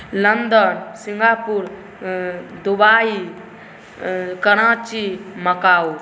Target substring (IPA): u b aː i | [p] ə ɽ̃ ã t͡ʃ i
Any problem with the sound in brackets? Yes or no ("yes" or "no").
yes